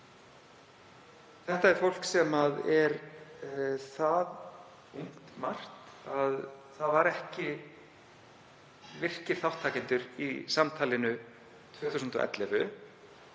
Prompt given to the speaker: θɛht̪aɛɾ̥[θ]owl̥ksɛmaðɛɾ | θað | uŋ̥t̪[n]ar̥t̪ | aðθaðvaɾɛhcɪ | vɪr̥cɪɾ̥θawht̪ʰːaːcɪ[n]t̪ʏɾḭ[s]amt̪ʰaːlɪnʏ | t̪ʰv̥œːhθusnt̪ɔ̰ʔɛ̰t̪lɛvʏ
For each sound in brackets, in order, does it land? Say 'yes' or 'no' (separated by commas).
no, no, yes, yes